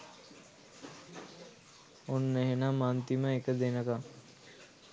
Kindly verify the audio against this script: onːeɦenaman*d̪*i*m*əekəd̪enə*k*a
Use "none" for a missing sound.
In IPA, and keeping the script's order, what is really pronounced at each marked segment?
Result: t̪, m, k

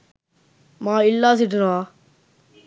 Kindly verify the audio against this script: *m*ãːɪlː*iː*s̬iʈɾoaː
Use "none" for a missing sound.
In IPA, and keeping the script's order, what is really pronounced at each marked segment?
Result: m, aː

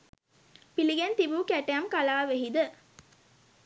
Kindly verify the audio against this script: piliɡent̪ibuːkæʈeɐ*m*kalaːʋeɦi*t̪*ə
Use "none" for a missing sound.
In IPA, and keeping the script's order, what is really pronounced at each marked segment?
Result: m, d̪

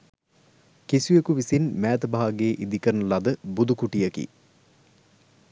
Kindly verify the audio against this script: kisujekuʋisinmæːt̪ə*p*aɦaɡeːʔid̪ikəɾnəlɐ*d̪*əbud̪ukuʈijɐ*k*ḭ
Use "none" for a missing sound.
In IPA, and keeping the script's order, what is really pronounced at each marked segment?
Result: b, d̪, k

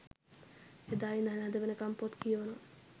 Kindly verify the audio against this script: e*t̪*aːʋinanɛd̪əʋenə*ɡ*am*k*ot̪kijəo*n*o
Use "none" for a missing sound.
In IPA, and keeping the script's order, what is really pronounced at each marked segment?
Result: d̪, k, p, n

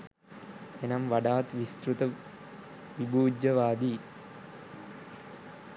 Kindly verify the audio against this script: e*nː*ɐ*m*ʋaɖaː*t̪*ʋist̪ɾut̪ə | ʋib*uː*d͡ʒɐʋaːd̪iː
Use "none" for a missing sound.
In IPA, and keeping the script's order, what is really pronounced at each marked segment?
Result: n, m, t̪, uː

